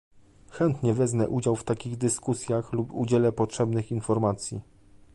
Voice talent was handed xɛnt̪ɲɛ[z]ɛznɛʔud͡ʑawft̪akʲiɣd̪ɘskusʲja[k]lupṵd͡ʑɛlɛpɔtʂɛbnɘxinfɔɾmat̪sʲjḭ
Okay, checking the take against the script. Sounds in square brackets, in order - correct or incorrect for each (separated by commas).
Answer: incorrect, incorrect